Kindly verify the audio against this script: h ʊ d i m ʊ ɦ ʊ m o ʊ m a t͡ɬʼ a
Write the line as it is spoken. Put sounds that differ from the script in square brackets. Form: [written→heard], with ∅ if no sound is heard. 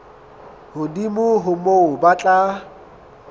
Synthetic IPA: h ʊ d i m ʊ ɦ ʊ m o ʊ [m→b] a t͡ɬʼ a